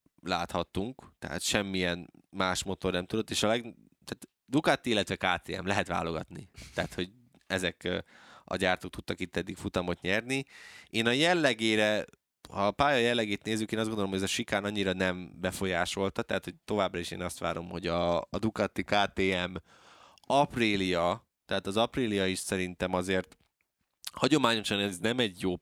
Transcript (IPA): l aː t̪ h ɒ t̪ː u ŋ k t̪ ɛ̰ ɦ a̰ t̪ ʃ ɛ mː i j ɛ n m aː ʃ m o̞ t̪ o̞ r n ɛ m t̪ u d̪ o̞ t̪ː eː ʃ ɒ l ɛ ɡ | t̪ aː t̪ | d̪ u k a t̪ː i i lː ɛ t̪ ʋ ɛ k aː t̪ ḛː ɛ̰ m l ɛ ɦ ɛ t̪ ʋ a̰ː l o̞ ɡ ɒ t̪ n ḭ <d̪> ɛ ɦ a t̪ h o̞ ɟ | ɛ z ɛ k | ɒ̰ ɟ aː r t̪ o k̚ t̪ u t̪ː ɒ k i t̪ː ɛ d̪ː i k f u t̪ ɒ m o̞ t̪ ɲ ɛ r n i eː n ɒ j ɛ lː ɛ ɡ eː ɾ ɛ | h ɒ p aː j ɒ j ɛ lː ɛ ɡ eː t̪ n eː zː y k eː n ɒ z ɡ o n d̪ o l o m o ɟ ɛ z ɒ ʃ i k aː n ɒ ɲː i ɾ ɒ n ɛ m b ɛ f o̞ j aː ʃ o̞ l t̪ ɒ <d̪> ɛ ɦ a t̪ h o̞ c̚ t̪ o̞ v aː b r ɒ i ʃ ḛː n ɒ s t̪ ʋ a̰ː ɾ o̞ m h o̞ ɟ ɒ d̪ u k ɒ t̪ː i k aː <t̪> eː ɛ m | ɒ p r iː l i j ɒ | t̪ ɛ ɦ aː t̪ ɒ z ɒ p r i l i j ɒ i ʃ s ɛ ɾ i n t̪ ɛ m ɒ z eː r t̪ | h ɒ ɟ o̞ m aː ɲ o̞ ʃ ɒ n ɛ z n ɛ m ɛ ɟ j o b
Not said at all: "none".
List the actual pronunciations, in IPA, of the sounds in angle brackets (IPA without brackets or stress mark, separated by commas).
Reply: t̪, t̪, t̪